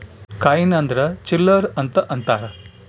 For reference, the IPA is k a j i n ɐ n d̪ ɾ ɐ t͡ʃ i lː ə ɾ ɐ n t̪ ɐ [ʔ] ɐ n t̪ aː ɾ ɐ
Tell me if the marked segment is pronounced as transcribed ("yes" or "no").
yes